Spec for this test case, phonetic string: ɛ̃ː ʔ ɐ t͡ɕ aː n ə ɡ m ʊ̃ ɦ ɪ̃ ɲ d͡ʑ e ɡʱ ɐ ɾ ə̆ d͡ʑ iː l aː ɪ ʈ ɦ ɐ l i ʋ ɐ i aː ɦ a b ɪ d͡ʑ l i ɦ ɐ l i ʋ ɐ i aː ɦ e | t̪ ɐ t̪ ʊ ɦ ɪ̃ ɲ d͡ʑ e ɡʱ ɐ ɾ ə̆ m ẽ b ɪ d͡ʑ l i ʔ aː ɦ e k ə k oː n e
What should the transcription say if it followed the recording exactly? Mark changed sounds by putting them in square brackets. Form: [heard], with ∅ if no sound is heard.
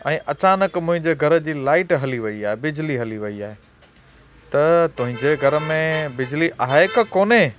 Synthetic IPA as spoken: ɛ̃ː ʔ ɐ t͡ɕ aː n ə [k] m ʊ̃ ɦ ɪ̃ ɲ d͡ʑ e ɡʱ ɐ ɾ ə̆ d͡ʑ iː l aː ɪ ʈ ɦ ɐ l i ʋ ɐ i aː ɦ [e] b ɪ d͡ʑ l i ɦ ɐ l i ʋ ɐ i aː ɦ e | t̪ ɐ t̪ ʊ ɦ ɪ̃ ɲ d͡ʑ e ɡʱ ɐ ɾ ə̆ m ẽ b ɪ d͡ʑ l i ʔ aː ɦ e k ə k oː n e